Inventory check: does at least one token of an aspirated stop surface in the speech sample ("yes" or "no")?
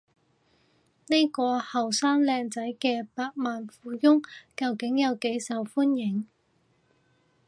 no